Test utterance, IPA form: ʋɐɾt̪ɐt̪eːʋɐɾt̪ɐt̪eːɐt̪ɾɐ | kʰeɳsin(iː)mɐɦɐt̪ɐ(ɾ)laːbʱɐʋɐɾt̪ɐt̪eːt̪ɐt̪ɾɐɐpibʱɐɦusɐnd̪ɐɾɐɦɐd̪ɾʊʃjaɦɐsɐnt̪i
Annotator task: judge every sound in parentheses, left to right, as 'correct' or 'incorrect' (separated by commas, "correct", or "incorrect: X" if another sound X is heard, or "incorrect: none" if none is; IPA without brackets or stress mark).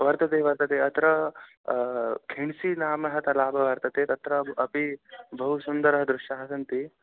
incorrect: aː, incorrect: none